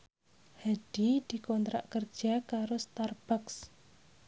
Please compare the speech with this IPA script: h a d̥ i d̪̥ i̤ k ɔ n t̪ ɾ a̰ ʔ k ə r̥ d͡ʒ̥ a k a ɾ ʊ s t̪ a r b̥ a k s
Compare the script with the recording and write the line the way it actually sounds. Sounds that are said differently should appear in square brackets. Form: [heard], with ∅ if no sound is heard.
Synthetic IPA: h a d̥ i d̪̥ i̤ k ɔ n t̪ ɾ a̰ ʔ k ə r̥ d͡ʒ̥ a k a ɾ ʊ s t̪ a r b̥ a k s